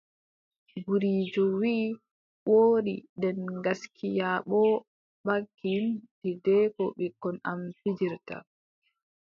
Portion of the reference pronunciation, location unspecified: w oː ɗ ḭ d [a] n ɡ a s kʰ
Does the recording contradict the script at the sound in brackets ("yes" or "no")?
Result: yes